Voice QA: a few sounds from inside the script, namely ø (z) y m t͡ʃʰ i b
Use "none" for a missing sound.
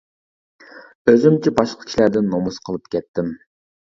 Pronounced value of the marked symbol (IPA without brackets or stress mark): z